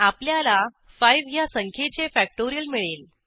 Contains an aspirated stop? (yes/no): yes